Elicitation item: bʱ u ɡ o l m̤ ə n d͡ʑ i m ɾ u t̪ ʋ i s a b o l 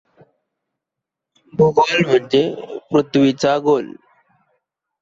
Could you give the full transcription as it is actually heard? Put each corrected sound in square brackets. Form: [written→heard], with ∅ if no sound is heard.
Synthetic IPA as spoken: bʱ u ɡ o l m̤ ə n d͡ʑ [i→e] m ɾ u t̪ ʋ i [s→t͡s] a [b→ɡ] o l